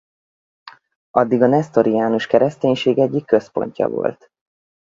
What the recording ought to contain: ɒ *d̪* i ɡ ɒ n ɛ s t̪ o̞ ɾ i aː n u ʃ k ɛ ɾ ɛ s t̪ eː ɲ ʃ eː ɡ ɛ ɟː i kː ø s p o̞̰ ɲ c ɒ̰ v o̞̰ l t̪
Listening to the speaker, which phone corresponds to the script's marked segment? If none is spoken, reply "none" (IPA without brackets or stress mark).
d̪ː